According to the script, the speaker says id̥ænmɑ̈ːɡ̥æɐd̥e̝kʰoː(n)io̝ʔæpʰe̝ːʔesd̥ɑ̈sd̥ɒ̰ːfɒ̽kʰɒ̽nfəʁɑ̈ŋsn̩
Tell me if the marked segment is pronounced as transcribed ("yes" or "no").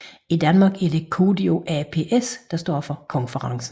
no